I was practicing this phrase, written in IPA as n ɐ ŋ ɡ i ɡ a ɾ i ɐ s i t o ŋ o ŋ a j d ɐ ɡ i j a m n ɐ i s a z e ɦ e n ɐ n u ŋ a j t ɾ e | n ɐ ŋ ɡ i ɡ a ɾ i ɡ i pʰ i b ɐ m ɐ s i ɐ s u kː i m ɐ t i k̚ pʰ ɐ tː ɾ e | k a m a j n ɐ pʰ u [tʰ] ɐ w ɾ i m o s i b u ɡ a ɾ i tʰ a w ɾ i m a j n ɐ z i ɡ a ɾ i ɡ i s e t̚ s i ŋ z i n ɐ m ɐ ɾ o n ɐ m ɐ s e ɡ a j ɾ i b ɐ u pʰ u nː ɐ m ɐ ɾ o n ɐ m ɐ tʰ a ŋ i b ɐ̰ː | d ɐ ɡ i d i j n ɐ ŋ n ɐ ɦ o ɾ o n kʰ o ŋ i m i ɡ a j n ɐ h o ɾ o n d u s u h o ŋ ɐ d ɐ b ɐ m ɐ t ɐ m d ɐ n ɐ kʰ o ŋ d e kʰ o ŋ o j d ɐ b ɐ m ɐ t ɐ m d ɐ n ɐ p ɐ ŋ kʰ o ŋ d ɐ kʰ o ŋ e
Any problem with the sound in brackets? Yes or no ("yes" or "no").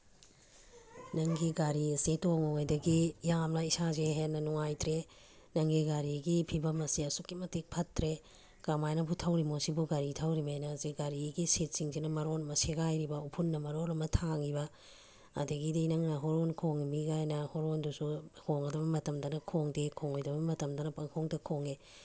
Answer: no